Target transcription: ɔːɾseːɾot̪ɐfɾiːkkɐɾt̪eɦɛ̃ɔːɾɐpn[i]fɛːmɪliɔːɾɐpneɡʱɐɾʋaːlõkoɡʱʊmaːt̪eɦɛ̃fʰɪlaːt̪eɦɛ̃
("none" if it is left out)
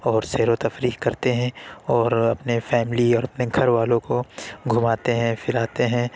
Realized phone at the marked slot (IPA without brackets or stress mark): e